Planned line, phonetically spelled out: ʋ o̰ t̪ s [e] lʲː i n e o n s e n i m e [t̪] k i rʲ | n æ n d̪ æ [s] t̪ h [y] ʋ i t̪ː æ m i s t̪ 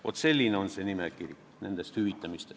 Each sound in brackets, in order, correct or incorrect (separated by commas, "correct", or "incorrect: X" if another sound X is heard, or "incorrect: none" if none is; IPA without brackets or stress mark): correct, incorrect: none, correct, correct